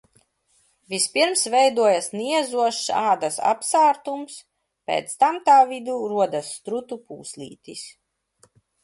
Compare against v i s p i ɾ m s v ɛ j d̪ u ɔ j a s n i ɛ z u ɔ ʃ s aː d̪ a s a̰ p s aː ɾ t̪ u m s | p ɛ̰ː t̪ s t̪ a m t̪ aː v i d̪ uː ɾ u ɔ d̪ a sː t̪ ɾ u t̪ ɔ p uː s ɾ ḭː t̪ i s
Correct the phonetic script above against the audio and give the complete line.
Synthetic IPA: v i s p i ɾ m s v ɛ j d̪ u ɔ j a s n i ɛ z u ɔ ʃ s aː d̪ a s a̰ p s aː ɾ t̪ u m s | p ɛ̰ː t̪ s t̪ a m t̪ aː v i d̪ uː ɾ u ɔ d̪ a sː t̪ ɾ u t̪ u p uː s l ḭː t̪ i s